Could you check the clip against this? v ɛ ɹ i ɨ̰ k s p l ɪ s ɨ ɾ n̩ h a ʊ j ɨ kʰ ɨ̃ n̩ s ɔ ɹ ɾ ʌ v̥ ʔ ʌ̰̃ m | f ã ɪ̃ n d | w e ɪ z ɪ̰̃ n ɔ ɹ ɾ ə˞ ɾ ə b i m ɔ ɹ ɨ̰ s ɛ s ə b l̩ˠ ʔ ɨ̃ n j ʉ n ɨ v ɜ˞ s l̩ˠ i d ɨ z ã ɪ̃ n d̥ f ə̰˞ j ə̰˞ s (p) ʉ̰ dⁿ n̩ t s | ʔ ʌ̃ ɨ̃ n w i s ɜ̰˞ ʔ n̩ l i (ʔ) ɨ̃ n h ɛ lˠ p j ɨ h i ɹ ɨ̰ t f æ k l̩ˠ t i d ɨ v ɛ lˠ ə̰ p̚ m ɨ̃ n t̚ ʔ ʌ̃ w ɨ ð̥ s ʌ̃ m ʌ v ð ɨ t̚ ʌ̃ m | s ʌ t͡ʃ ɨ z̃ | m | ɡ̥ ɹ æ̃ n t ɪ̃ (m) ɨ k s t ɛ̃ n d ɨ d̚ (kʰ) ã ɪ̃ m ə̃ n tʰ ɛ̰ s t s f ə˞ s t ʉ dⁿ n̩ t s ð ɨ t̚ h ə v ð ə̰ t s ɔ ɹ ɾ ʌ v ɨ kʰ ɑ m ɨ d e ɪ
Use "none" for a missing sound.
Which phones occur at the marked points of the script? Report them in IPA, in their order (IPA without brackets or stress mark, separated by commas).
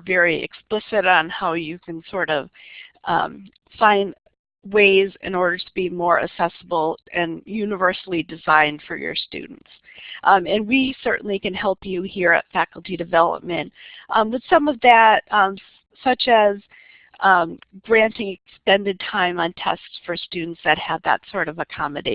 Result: t, k, ŋ, tʰ